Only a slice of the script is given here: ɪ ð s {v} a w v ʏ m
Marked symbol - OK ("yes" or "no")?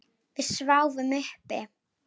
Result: yes